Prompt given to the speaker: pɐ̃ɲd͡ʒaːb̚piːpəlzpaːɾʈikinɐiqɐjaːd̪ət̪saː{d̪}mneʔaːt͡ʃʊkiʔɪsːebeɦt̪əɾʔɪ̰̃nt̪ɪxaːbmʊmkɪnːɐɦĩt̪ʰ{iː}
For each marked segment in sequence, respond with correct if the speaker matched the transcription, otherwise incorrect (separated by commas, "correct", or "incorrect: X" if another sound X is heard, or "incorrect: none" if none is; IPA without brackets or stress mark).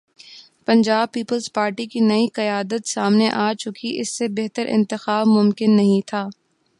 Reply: incorrect: none, incorrect: aː